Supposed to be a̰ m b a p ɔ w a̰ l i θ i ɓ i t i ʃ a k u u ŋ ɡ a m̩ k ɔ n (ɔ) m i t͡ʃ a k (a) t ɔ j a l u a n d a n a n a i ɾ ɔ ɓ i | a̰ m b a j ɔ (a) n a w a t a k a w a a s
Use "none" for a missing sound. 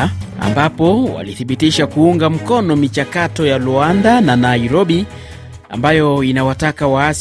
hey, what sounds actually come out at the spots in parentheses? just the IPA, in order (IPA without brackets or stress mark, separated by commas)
ɔ, a, i